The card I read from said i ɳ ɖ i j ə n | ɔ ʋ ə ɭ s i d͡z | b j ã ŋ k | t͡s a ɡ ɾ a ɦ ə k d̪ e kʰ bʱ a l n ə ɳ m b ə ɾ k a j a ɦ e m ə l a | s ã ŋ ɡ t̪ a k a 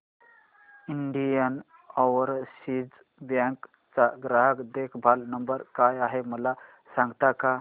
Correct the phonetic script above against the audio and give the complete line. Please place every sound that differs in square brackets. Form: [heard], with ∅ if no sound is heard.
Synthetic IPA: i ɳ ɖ i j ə n | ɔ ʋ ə [ɾ] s i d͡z | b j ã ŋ k | t͡s a ɡ ɾ a ɦ ə k d̪ e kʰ bʱ a l n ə [∅] m b ə ɾ k a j a ɦ e m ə l a | s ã ŋ ɡ t̪ a k a